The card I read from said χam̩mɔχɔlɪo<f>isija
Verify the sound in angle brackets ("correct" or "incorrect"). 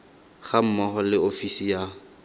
correct